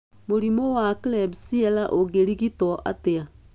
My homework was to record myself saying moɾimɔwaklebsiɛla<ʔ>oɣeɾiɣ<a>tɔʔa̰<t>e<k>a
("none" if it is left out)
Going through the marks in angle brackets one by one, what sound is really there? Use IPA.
ʔ, i, t, none

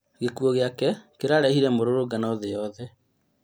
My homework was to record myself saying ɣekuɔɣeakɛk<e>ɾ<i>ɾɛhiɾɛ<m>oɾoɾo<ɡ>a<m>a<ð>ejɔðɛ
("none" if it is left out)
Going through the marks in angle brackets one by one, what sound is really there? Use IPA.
e, a, m, ɡ, n, ð

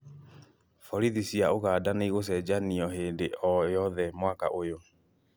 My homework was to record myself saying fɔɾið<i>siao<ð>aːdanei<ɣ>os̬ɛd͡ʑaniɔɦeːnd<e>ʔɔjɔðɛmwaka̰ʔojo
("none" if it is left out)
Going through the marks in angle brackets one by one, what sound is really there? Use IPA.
i, ɣ, ɣ, e

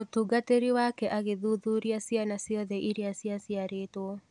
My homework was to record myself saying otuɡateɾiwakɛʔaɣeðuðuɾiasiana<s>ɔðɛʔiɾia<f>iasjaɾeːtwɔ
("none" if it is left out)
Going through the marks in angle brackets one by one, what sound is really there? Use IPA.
s, s

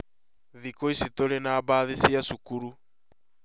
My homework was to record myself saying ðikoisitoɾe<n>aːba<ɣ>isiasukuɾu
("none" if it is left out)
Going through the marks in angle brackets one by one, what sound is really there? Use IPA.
n, ð

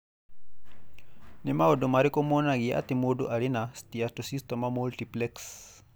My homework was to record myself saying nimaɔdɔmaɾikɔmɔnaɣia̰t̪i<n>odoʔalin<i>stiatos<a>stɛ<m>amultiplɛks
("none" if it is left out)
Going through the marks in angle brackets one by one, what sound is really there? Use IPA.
m, a, i, m

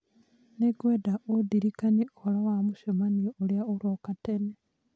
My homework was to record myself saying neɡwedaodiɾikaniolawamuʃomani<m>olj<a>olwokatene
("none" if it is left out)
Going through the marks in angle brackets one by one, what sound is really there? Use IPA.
none, a

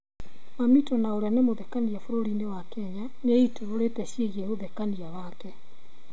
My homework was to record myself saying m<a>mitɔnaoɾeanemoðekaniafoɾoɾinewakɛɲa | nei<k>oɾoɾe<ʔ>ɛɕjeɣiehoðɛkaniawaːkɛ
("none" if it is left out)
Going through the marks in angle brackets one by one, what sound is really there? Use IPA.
a, t, t

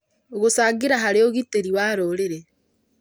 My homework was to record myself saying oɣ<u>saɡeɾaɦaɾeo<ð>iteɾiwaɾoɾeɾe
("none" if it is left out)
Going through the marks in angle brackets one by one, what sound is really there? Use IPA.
o, ɣ

